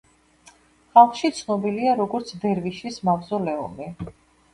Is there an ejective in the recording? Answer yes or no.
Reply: no